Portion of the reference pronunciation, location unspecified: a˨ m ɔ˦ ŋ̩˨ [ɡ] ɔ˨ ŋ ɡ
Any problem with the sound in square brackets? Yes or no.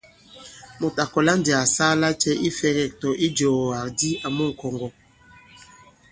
yes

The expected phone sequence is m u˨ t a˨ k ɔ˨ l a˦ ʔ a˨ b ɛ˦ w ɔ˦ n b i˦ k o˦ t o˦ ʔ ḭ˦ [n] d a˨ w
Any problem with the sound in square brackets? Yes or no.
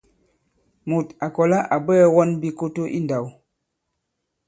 no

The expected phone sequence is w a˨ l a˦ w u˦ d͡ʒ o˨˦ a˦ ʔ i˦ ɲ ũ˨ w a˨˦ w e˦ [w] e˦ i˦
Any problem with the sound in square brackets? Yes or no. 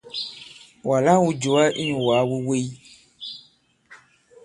no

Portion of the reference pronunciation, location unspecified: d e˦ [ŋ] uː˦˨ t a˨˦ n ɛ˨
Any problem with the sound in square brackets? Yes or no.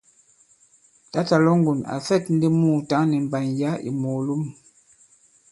yes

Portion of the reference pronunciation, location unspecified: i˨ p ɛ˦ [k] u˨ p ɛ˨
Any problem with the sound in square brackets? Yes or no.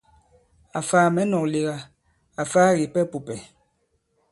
yes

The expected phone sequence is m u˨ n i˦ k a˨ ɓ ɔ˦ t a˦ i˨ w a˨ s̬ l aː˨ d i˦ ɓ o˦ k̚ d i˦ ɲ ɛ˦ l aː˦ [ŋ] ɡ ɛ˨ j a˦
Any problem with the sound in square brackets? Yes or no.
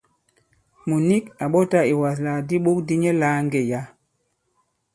no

